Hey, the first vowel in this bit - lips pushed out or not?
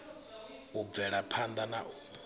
yes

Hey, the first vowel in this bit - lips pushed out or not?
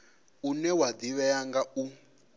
yes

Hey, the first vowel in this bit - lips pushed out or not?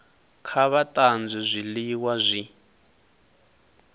no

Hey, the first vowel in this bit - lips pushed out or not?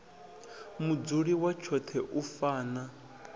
yes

